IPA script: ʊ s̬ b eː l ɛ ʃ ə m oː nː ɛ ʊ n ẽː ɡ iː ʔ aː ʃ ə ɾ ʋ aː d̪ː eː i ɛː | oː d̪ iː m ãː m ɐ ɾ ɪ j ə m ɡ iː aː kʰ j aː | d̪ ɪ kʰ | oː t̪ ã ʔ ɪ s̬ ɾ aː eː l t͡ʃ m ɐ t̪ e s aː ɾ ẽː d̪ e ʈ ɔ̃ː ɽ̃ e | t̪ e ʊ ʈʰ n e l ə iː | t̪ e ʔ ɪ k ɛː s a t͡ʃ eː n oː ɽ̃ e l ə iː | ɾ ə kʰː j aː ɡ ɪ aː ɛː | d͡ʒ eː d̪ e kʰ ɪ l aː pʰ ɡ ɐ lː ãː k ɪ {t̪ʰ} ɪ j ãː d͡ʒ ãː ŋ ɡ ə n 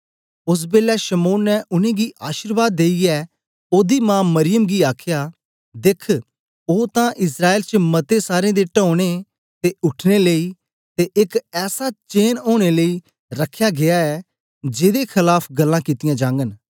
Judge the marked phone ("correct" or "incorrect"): incorrect